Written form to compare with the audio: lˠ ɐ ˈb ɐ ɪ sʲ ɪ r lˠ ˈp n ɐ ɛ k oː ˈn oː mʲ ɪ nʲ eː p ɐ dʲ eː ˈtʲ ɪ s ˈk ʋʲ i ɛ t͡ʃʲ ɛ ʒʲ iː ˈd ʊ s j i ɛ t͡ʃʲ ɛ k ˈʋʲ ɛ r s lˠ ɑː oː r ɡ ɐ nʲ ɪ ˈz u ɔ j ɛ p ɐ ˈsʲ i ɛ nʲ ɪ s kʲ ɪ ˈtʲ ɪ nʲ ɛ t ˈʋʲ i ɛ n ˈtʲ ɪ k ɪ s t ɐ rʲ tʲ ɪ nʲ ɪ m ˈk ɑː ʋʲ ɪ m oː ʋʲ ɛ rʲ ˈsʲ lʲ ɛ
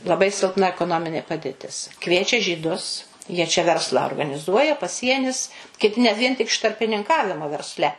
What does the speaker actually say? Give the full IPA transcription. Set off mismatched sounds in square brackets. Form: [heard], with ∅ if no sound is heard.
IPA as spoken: lˠ ɐ ˈb ɐ ɪ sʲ ɪ [∅] lˠ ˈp n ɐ ɛ k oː ˈn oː mʲ ɪ nʲ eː p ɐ dʲ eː ˈtʲ ɪ s ˈk ʋʲ i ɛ t͡ʃʲ ɛ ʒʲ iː ˈd ʊ s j i ɛ t͡ʃʲ ɛ [∅] ˈʋʲ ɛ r s lˠ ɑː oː r ɡ ɐ nʲ ɪ ˈz u ɔ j ɛ p ɐ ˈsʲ i ɛ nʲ ɪ s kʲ ɪ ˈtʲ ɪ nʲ ɛ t ˈʋʲ i ɛ n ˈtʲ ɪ k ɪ [ʃ] t ɐ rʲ [pʲ] ɪ nʲ ɪ [ŋ] ˈk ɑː ʋʲ ɪ m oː ʋʲ ɛ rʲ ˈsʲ lʲ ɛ